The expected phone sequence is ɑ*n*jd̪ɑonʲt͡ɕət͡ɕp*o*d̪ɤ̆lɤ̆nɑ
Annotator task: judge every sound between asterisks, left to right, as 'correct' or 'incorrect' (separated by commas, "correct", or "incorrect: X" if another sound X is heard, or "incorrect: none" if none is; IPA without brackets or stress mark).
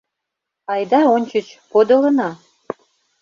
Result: incorrect: none, correct